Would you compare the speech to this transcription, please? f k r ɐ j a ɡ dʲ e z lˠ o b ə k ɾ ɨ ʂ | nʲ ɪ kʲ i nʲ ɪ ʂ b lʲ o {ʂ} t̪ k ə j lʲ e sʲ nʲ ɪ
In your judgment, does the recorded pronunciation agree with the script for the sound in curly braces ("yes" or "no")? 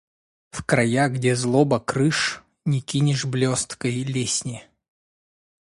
no